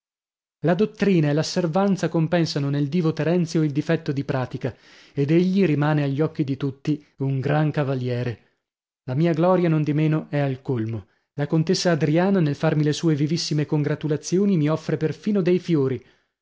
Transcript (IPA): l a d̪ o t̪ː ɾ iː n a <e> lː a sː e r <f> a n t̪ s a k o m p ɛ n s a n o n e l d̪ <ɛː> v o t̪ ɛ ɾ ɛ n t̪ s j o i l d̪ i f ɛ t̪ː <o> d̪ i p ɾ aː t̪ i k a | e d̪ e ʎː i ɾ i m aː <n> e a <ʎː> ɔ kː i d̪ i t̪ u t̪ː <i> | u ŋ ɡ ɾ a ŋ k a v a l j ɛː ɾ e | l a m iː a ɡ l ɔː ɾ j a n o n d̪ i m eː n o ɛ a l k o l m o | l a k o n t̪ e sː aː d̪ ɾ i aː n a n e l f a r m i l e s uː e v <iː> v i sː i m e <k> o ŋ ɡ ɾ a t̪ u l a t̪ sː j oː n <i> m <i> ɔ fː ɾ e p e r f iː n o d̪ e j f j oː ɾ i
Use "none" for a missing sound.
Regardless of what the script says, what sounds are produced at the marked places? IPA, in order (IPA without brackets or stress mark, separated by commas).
e, v, iː, o, n, ʎː, i, i, k, i, i